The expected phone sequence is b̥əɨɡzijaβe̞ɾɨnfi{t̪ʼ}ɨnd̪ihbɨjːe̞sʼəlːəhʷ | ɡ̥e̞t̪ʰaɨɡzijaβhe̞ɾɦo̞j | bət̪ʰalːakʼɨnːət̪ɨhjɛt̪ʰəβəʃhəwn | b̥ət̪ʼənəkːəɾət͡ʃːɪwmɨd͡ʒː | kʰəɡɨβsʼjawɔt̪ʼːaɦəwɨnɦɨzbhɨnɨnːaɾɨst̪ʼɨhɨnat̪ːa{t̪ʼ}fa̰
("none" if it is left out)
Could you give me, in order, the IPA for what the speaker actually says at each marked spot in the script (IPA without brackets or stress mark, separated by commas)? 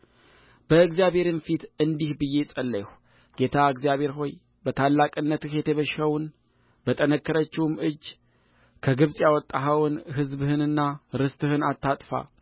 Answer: t̪, t̪ʼ